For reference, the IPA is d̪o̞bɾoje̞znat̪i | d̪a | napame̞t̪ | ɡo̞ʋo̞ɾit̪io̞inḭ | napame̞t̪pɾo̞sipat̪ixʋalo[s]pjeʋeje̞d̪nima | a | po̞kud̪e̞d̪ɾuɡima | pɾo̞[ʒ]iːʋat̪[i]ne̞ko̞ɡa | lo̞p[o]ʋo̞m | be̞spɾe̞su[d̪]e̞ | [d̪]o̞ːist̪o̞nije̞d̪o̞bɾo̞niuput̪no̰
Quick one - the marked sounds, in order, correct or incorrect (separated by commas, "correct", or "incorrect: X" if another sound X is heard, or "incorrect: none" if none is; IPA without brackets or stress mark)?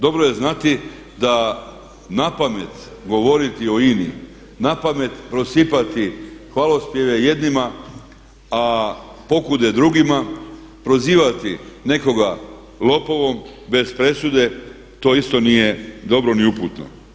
correct, incorrect: z, correct, correct, correct, incorrect: t̪